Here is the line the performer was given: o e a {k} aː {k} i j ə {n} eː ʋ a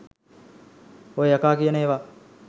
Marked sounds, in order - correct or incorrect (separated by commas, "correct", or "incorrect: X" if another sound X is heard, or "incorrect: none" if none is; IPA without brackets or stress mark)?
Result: correct, correct, correct